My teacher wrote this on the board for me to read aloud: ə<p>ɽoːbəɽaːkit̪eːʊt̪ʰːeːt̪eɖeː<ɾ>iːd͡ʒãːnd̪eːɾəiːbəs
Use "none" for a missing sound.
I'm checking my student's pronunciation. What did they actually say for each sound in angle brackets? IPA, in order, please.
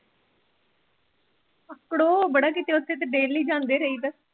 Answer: k, l

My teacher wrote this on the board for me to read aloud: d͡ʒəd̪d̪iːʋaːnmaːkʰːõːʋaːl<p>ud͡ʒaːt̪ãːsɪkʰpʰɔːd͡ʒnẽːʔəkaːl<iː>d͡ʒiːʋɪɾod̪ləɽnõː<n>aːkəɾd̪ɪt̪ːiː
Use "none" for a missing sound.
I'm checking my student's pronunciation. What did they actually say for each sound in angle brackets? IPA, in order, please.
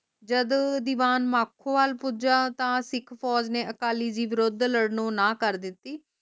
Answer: p, iː, n

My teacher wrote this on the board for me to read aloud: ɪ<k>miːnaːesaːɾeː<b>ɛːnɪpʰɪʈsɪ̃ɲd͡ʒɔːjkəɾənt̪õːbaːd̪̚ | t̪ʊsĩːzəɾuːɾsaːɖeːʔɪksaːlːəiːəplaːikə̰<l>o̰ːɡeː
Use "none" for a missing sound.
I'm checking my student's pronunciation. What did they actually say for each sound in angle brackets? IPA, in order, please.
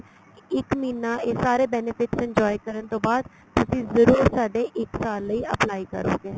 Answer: k, b, ɾ

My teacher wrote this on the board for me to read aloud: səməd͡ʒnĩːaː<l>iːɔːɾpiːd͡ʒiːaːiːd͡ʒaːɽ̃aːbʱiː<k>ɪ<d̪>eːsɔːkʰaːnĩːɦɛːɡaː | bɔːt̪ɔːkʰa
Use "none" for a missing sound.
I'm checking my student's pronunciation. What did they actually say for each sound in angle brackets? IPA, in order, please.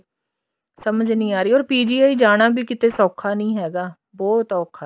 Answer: ɾ, k, t̪

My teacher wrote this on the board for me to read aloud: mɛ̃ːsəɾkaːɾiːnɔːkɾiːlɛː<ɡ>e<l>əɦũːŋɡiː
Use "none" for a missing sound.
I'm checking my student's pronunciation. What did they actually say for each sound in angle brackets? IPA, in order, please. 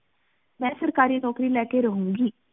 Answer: k, ɾ

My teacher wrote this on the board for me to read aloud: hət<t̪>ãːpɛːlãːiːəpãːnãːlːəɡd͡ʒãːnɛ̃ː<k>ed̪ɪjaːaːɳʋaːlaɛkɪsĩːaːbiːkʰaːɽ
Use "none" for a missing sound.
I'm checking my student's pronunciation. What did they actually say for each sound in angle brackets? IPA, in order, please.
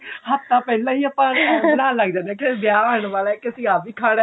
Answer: t̪, k

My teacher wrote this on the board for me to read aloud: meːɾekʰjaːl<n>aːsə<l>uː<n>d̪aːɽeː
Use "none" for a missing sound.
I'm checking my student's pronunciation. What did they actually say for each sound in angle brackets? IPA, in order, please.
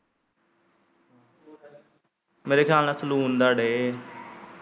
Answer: n, l, n

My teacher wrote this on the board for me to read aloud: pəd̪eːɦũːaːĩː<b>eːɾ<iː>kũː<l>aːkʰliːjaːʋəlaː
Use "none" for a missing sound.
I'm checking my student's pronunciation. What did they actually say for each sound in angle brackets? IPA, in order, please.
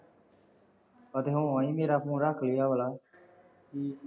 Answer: m, aː, ɾ

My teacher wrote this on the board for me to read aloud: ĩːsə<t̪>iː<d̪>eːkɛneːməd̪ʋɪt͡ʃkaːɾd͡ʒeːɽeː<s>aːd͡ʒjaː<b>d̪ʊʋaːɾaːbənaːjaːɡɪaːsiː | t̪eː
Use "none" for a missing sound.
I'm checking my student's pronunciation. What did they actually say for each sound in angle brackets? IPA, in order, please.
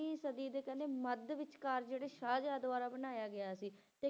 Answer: d̪, d̪, ʃ, none

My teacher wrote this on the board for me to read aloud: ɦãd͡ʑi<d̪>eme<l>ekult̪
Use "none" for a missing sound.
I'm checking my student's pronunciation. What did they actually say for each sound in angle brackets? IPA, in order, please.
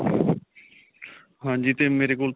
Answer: t̪, ɾ

